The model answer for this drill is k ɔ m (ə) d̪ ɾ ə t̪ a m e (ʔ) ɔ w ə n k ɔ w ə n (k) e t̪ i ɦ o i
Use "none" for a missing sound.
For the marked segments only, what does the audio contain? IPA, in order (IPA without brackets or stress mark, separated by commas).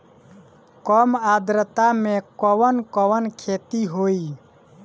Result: a, k, kʰ